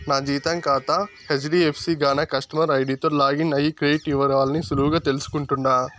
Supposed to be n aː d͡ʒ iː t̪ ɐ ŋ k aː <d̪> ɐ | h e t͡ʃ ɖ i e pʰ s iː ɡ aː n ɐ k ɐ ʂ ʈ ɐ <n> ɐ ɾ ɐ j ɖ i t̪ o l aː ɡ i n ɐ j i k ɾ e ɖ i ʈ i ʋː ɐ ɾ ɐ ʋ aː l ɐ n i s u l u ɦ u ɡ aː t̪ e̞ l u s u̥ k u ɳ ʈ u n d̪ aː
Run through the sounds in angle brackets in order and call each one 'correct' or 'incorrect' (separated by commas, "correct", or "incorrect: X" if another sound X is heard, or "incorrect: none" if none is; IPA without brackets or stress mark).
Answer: incorrect: t̪, incorrect: m